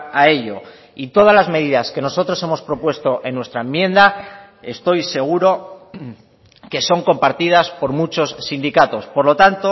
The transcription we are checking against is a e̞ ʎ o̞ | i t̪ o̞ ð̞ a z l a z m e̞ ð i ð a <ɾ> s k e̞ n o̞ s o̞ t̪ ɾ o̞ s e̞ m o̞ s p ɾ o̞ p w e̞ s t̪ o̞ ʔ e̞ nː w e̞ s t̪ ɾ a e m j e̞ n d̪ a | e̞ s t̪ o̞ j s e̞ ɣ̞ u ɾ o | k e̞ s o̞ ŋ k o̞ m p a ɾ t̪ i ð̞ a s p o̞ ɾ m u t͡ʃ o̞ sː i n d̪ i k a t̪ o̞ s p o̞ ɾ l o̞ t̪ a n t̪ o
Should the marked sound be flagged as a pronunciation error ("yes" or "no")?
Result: yes